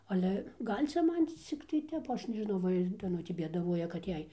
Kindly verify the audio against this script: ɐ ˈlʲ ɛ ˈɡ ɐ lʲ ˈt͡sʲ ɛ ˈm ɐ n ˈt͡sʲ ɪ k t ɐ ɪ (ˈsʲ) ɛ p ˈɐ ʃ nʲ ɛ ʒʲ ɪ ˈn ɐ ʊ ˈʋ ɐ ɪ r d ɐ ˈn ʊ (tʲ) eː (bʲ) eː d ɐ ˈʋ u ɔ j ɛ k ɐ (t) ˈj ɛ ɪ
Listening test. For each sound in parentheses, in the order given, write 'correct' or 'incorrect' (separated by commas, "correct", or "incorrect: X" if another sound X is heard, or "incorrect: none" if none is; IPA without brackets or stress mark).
incorrect: tʲ, correct, correct, correct